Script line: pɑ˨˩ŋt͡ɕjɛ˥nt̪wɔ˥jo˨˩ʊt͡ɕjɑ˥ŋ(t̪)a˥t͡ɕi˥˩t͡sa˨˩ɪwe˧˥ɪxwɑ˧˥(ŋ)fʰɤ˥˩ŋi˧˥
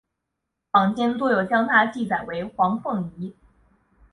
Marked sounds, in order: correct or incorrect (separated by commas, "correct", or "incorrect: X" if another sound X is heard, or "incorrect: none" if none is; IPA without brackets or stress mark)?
incorrect: t̪ʰ, correct